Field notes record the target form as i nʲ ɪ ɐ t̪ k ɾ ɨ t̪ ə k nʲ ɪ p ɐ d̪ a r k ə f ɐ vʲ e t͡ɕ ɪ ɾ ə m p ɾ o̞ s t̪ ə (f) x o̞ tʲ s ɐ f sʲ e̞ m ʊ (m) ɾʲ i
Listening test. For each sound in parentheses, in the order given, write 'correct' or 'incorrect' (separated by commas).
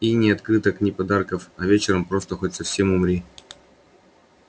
incorrect, correct